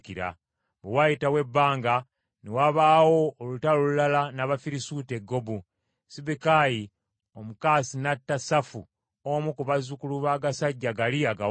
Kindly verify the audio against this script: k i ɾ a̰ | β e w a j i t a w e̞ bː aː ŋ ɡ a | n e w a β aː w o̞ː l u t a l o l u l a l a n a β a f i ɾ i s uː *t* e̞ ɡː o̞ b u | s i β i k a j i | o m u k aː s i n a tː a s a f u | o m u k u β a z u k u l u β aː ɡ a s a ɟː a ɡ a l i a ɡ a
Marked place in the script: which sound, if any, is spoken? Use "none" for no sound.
t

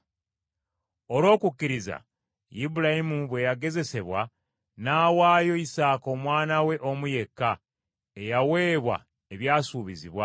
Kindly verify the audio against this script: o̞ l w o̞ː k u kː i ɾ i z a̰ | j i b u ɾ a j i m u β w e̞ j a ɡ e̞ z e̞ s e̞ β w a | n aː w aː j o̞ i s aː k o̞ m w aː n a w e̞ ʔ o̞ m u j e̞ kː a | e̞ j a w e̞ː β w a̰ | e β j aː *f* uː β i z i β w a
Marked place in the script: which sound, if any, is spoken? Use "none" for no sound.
s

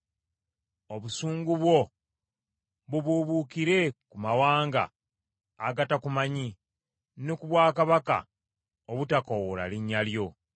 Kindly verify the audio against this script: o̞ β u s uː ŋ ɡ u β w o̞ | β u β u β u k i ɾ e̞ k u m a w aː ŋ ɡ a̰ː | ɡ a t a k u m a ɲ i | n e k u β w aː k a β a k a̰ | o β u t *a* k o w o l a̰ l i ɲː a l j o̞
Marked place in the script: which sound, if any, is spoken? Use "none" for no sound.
a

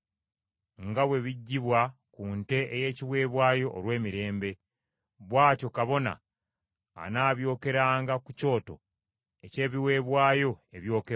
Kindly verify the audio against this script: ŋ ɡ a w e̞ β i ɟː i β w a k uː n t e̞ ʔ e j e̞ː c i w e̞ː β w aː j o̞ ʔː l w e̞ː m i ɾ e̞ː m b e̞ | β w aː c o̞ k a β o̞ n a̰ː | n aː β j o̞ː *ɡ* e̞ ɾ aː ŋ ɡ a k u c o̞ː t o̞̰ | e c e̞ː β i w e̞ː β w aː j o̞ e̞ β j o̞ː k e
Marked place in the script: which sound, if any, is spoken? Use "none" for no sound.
k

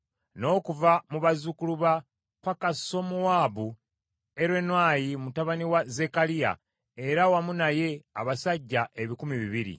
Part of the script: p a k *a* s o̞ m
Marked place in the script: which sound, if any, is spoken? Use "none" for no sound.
a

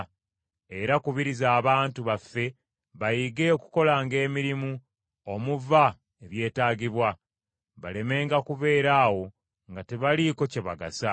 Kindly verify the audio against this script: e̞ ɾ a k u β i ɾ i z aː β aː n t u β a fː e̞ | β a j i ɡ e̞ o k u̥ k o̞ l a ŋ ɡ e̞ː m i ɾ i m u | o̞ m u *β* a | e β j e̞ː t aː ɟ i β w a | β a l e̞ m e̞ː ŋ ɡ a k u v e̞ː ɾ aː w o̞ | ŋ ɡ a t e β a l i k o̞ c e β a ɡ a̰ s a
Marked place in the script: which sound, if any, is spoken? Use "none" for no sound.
v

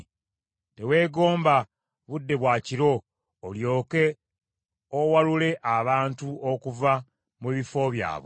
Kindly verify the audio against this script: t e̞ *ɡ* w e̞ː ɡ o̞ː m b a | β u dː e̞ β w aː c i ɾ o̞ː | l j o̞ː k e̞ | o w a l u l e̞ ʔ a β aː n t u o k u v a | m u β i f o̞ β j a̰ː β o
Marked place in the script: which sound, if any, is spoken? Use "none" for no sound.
none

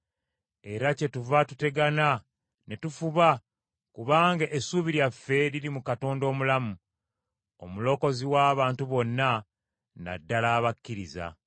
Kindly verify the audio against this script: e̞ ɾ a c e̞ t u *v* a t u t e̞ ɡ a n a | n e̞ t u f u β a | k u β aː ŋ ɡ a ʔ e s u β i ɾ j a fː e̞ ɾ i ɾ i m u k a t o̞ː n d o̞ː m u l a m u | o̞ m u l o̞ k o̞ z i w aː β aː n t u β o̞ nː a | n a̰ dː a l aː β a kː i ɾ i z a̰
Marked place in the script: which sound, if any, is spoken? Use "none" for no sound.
v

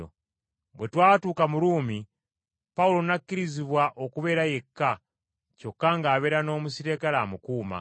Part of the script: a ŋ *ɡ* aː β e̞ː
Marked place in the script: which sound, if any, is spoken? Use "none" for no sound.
ɡ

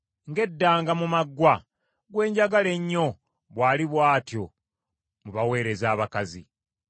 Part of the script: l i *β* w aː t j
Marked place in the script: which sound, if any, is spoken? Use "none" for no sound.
β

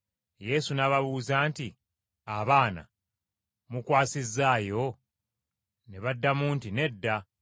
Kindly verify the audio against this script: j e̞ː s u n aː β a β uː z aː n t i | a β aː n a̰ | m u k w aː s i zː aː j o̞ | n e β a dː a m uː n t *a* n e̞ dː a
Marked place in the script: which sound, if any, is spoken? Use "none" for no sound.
i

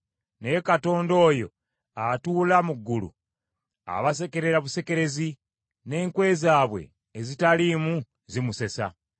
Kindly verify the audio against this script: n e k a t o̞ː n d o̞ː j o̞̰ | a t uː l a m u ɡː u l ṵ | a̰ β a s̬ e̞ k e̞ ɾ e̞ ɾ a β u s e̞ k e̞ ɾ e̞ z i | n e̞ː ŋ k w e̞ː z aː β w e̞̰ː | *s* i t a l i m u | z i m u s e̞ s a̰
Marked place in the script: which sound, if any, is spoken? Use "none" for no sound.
z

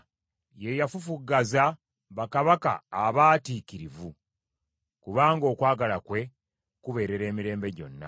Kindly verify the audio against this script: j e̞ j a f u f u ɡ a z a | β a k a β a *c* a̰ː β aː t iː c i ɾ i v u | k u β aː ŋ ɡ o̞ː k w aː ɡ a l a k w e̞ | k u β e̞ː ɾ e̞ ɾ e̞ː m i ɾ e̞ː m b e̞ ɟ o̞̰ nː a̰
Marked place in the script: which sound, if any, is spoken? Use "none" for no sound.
k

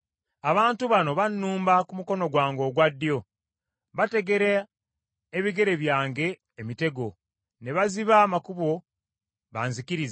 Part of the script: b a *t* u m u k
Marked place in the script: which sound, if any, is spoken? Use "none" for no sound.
k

